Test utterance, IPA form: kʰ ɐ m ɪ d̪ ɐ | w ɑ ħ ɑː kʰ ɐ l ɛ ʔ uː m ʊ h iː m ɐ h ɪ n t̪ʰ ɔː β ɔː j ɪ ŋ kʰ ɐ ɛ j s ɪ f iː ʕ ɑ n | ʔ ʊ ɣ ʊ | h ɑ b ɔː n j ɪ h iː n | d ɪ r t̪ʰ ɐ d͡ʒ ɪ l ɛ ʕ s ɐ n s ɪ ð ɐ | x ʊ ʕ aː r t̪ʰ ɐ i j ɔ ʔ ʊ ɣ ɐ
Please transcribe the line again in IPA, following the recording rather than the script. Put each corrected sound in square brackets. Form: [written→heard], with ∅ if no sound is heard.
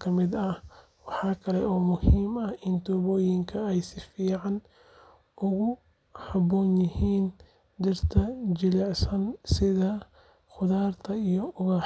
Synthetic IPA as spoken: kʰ ɐ m ɪ d̪ ɐ | w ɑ ħ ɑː kʰ ɐ l ɛ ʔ [uː→ɔː] m ʊ h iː m ɐ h ɪ n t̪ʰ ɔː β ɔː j ɪ ŋ kʰ ɐ ɛ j s ɪ f iː ʕ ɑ n | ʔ ʊ ɣ ʊ | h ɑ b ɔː n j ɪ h iː n | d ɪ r t̪ʰ ɐ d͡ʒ ɪ l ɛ ʕ s ɐ n s ɪ ð ɐ | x ʊ [ʕ→ð] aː r t̪ʰ ɐ i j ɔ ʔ ʊ ɣ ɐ